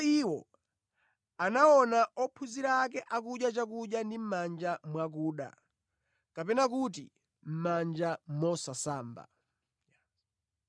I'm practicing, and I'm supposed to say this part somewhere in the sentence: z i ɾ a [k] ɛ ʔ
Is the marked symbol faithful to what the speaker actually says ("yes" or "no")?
yes